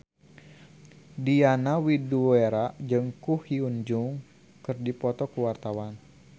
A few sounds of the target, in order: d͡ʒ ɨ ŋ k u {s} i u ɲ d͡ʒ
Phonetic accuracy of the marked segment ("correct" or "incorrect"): incorrect